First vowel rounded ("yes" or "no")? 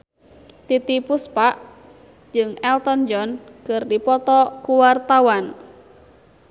no